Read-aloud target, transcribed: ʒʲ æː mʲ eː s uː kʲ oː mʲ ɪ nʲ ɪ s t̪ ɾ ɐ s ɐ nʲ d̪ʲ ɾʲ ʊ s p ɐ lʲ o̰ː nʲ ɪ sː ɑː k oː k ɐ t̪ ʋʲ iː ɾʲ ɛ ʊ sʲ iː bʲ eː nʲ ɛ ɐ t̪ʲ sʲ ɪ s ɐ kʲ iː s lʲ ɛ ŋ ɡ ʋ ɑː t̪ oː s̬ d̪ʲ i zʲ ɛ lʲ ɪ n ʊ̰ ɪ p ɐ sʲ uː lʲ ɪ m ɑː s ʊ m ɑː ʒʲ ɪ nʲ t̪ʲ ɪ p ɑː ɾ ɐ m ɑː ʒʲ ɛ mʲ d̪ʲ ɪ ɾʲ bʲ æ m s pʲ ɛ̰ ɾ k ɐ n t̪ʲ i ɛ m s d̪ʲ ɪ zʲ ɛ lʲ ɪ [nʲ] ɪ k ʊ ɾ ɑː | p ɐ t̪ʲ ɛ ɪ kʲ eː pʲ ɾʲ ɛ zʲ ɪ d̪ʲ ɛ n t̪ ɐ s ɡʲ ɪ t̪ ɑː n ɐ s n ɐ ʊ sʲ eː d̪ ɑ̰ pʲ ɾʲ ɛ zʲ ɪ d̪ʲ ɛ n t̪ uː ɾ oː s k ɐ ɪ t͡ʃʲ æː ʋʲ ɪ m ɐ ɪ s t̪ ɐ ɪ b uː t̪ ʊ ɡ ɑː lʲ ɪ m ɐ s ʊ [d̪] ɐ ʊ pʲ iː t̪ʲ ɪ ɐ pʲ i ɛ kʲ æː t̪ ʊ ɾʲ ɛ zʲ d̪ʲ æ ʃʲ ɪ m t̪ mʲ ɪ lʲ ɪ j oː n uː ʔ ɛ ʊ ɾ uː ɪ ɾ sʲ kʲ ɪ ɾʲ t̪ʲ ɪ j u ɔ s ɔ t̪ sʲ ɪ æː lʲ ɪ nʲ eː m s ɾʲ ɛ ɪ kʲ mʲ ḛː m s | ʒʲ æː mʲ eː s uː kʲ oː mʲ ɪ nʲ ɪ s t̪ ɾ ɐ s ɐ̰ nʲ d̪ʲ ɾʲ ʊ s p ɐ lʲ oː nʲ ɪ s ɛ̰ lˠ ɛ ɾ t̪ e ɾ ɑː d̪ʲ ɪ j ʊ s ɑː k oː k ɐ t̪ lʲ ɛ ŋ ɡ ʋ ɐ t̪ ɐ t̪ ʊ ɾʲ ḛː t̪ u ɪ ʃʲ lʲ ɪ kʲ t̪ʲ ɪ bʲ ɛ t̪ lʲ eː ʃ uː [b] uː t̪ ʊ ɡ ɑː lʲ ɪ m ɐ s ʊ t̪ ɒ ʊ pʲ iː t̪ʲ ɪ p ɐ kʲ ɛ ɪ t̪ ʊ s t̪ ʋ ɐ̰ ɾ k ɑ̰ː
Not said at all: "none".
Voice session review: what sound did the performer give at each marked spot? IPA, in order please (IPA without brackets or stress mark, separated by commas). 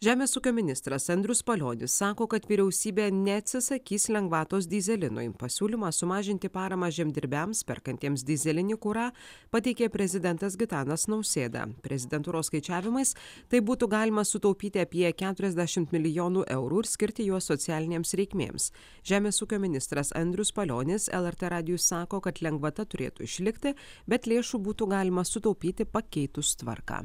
nʲ, t̪, b